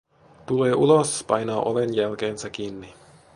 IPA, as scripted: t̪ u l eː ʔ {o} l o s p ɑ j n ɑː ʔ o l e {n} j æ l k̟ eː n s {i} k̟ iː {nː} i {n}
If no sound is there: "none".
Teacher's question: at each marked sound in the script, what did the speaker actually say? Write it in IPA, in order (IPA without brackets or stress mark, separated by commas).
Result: u, n, æ, nː, none